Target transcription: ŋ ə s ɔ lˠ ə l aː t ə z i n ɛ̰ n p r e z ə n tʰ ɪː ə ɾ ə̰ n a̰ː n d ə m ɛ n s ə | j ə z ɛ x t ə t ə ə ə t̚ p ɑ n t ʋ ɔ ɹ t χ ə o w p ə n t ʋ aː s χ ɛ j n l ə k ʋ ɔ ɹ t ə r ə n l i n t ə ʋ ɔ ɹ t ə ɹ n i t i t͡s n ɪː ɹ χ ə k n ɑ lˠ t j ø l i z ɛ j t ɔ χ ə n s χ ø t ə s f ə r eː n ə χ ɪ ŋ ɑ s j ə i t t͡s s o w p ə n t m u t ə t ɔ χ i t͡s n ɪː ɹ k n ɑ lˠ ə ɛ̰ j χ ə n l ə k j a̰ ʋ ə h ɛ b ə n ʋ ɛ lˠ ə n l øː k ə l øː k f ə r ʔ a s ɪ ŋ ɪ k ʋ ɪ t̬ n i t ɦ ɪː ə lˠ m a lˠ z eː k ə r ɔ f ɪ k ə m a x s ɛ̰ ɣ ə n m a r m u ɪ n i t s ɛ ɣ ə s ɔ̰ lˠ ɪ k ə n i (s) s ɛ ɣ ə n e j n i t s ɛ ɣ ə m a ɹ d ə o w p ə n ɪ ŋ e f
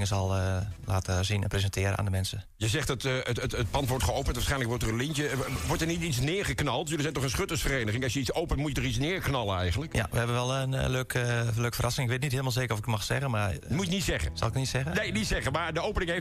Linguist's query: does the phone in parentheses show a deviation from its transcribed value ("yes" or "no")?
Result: yes